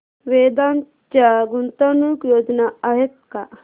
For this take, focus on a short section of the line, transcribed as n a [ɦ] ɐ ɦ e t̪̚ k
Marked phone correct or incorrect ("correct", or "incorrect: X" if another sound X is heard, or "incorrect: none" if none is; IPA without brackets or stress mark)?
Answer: incorrect: none